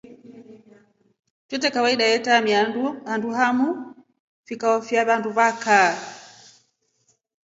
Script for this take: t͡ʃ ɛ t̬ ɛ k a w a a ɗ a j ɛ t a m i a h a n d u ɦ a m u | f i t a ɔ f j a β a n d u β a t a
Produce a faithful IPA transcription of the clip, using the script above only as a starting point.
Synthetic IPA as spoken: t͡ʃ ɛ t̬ ɛ k a w a i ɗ a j ɛ t a m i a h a n d u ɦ a m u | f i k a ɔ f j a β a n d u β a k a